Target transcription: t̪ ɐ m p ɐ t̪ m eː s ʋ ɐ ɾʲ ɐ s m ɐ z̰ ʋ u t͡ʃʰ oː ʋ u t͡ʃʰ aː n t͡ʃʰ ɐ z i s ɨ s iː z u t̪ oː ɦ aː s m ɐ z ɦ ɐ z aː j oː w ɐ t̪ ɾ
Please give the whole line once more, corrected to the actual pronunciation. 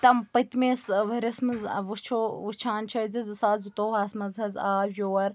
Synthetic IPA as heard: t̪ ɐ m p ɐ t̪ m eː s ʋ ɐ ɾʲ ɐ s m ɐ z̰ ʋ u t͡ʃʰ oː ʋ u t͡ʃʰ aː n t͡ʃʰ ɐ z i z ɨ s aː z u t̪ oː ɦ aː s m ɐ z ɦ ɐ z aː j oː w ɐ ɾ